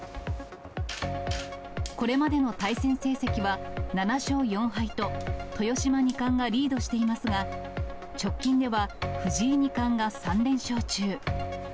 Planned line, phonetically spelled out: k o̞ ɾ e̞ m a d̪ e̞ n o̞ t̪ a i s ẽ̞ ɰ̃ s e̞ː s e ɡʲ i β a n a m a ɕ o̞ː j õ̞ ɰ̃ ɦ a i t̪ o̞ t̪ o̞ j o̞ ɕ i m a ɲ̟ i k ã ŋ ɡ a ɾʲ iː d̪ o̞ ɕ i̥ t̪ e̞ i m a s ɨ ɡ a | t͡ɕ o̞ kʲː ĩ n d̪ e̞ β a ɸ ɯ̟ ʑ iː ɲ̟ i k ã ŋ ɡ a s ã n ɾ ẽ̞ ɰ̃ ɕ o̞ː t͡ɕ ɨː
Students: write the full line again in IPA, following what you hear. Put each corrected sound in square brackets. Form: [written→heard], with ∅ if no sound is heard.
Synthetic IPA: k o̞ ɾ e̞ m a d̪ e̞ n o̞ t̪ a i s ẽ̞ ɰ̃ s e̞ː s e [ɡʲ→kʲ] i β a n a [m→n] a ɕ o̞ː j õ̞ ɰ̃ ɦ a i t̪ o̞ t̪ o̞ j o̞ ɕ i m a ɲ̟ i k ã ŋ ɡ a ɾʲ iː d̪ o̞ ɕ i̥ t̪ e̞ i m a s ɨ ɡ a | t͡ɕ o̞ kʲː ĩ n d̪ e̞ β a ɸ ɯ̟ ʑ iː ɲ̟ i k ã ŋ ɡ a s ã n ɾ ẽ̞ ɰ̃ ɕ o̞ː t͡ɕ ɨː